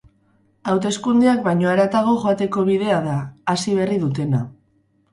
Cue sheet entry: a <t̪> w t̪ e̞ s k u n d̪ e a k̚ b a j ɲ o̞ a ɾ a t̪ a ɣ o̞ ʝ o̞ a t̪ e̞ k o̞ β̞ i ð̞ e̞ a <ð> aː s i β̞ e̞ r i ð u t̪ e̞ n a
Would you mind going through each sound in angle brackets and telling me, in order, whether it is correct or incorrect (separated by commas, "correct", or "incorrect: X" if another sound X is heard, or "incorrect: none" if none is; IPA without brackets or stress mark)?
incorrect: none, correct